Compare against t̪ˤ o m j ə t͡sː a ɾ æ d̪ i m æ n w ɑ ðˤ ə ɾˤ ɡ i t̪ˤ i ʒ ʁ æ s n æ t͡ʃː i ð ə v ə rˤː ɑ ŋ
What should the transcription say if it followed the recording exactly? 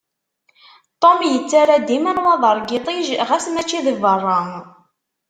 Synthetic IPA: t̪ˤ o m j ə t͡sː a ɾ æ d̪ i m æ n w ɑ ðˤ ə ɾˤ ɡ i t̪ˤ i ʒ ʁ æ s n æ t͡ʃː i ð ə v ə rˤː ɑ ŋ